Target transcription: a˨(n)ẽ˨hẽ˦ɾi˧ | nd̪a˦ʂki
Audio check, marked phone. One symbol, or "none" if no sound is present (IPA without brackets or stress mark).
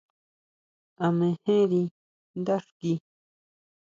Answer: m